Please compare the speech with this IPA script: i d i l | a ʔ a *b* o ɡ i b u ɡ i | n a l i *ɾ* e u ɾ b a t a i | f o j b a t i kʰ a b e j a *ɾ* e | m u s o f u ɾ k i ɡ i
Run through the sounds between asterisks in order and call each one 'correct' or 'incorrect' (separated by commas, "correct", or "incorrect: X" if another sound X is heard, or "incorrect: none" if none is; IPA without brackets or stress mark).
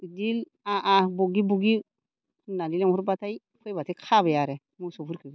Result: correct, incorrect: l, correct